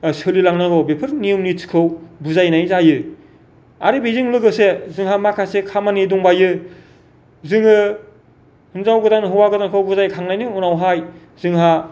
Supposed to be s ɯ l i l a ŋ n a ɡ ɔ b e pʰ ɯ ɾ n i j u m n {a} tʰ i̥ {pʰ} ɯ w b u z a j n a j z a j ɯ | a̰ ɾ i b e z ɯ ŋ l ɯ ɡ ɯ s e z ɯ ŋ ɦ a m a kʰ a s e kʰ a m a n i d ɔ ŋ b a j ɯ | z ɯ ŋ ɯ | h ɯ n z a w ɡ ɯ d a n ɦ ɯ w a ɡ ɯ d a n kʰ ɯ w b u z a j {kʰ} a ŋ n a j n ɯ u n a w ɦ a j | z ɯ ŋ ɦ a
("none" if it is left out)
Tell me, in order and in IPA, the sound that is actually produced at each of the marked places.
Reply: i, kʰ, kʰ

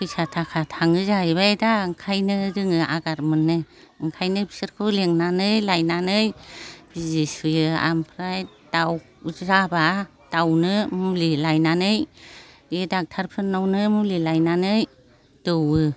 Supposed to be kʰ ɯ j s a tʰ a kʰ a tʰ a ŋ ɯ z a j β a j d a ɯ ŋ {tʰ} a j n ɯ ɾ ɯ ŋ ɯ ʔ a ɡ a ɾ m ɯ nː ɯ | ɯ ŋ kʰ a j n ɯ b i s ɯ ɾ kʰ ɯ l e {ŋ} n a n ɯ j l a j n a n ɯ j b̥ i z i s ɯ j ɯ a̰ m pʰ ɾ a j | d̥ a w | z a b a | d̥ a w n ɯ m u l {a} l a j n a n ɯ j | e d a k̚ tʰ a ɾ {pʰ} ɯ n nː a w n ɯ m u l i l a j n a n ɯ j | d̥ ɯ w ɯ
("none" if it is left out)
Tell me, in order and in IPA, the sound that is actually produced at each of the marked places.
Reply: kʰ, ŋ, i, pʰ

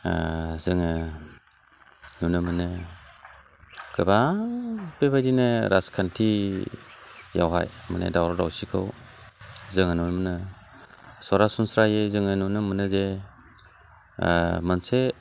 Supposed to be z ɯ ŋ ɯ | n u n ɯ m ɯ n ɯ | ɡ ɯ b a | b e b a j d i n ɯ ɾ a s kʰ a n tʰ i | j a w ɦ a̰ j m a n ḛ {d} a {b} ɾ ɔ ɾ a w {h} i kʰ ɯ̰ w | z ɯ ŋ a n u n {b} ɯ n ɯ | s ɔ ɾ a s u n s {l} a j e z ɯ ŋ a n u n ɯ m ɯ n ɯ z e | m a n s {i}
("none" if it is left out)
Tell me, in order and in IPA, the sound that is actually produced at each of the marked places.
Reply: d, w, s, m, ɾ, e

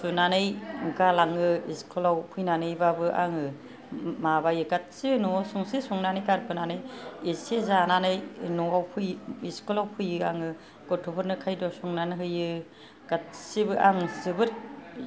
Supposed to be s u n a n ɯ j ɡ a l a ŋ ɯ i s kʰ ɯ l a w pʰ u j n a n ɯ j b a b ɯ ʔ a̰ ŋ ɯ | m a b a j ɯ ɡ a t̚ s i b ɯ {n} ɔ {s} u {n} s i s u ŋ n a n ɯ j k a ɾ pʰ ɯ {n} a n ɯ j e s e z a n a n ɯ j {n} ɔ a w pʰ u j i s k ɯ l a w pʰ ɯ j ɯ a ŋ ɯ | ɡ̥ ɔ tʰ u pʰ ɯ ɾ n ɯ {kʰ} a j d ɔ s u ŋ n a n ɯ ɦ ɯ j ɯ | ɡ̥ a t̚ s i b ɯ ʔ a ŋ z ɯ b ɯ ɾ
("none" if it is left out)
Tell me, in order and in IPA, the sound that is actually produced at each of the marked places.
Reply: n, s, ŋ, n, n, kʰ

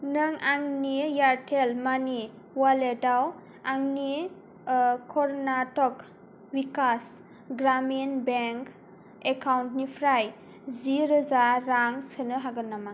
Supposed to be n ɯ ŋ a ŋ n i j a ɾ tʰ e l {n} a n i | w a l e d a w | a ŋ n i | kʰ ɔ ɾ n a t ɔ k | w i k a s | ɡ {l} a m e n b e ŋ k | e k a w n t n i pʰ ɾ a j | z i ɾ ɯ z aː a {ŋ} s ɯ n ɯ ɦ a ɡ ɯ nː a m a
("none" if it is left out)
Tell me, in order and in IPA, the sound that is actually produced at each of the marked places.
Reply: m, ɾ, ŋ

